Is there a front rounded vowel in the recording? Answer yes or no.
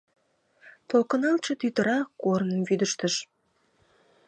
yes